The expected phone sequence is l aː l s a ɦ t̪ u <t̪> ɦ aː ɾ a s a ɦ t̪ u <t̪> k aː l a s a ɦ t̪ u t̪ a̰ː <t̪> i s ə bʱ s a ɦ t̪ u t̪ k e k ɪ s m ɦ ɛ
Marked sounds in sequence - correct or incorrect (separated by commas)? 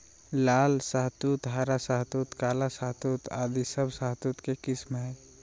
correct, correct, incorrect